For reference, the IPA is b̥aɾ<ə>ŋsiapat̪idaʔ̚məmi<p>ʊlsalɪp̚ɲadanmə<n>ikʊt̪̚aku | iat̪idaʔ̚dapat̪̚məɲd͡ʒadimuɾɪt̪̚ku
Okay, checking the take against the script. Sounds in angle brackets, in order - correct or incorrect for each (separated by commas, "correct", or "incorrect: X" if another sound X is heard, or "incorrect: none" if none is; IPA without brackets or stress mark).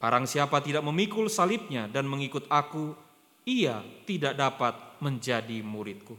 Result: incorrect: a, incorrect: k, incorrect: ŋ